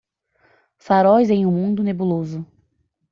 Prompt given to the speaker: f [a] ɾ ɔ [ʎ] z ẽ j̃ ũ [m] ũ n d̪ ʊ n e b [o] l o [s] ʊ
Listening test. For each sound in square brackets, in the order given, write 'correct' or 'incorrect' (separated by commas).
correct, incorrect, correct, incorrect, incorrect